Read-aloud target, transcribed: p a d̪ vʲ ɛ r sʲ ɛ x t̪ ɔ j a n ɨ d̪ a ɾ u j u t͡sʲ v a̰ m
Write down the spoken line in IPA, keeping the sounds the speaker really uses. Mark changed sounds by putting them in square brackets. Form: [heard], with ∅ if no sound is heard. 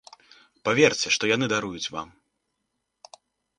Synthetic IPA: p a [∅] vʲ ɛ r [t͡sʲ] ɛ [ʂ] t̪ ɔ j a n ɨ d̪ a ɾ u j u t͡sʲ v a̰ m